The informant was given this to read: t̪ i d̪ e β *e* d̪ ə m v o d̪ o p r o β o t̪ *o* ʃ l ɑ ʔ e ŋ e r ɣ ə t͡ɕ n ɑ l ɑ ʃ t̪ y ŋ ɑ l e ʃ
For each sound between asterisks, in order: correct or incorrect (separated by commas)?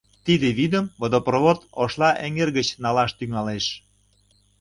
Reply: incorrect, correct